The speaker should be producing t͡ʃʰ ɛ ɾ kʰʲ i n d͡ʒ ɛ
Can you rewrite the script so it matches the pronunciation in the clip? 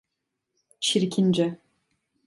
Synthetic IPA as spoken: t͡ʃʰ i ɾ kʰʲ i n d͡ʒ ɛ